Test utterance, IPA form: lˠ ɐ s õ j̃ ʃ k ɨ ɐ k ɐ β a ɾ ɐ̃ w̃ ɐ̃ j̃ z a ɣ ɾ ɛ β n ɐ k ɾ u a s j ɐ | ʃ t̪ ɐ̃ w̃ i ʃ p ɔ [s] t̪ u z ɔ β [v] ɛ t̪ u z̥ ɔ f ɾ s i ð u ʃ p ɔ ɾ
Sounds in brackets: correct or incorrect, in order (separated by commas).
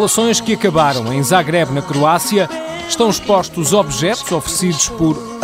incorrect, incorrect